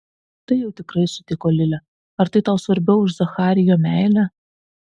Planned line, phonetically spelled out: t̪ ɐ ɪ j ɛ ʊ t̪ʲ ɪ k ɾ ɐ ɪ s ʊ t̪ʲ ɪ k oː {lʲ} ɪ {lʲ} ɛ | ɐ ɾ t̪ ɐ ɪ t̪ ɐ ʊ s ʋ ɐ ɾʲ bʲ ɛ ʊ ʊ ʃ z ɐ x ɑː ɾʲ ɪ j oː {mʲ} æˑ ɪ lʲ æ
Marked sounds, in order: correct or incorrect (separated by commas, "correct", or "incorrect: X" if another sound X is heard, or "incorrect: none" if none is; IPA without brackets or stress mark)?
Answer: correct, correct, correct